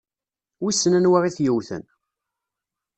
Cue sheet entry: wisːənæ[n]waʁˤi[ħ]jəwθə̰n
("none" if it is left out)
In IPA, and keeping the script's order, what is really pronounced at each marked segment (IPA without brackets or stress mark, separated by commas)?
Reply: n, θ